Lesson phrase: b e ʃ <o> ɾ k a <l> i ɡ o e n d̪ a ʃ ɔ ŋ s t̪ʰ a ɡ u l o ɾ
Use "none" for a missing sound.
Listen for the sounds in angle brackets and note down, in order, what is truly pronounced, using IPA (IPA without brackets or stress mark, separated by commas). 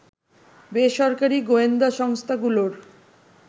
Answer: ɔ, ɾ